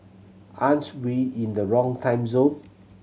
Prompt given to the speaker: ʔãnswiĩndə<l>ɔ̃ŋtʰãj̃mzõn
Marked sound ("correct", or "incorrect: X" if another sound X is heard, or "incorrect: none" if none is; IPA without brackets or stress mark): incorrect: ɹ